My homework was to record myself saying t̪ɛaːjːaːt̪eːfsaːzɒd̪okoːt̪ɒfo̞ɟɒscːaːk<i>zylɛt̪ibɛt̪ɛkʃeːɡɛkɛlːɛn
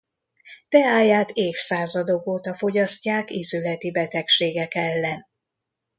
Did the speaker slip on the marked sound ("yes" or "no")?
no